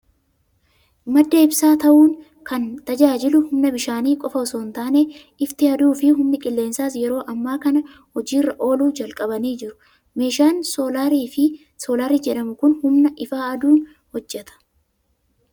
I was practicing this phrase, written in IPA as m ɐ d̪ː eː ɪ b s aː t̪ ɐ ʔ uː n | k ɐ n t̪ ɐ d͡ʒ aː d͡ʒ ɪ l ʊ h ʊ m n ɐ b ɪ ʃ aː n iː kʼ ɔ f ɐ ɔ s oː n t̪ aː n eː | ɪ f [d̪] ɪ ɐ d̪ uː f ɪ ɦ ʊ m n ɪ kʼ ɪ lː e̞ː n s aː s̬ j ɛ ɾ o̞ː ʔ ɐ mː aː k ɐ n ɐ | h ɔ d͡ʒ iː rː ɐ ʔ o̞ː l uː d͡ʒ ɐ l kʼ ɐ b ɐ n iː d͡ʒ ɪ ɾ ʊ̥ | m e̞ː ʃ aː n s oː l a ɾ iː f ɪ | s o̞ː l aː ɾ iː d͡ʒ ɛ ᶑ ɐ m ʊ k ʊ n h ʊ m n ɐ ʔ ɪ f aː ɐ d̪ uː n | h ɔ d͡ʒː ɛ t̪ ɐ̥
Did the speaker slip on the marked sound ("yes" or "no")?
yes